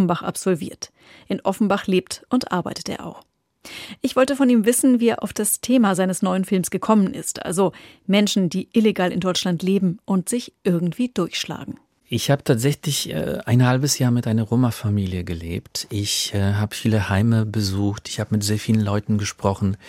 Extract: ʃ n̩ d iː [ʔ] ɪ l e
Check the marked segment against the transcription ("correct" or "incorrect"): correct